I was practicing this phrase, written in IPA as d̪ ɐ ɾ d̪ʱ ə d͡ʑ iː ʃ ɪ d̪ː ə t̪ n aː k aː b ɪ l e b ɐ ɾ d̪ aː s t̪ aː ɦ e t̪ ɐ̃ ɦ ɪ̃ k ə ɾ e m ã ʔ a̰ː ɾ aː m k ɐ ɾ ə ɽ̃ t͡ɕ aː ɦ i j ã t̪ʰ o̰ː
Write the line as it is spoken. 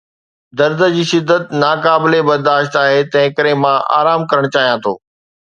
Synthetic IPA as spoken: d̪ ɐ ɾ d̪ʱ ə d͡ʑ iː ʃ ɪ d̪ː ə t̪ n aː k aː b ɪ l e b ɐ ɾ d̪ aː ʃ t̪ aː ɦ e t̪ ɐ̃ ɦ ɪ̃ k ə ɾ e m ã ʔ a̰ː ɾ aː m k ɐ ɾ ə ɽ̃ t͡ɕ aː ɦ i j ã t̪ʰ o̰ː